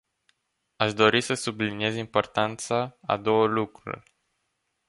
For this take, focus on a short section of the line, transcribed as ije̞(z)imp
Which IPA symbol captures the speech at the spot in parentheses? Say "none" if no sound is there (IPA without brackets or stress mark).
z